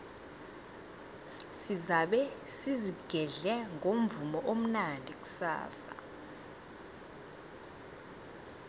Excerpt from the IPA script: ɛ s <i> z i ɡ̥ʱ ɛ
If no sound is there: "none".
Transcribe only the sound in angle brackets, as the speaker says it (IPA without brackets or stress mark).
i